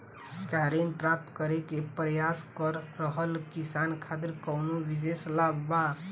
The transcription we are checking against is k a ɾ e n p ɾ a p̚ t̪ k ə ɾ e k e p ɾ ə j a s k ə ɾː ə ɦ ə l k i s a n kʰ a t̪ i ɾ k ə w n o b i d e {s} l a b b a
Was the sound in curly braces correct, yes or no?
yes